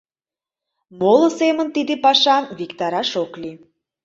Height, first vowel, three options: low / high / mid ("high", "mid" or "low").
mid